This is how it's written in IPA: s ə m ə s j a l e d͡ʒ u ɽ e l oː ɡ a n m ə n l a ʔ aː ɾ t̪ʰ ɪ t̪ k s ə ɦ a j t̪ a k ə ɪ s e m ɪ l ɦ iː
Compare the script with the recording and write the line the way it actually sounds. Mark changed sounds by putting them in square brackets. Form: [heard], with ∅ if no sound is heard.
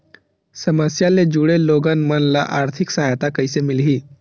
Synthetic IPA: s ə m ə s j a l e d͡ʒ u ɽ e l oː ɡ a n m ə n l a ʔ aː ɾ t̪ʰ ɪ [∅] k s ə ɦ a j t̪ a k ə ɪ s e m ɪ l ɦ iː